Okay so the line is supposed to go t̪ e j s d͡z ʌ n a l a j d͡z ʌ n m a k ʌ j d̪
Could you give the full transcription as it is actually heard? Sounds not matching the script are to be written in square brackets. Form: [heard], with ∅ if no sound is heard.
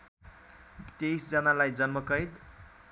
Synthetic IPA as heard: t̪ e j s d͡z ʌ n a l a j d͡z ʌ n m [ʌ] k ʌ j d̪